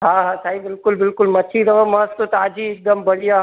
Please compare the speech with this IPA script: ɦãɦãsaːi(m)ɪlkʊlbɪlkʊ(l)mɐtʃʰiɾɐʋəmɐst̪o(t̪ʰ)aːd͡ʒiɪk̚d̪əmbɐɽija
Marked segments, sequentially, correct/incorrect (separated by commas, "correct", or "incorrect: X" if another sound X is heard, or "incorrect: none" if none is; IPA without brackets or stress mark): incorrect: b, correct, incorrect: t̪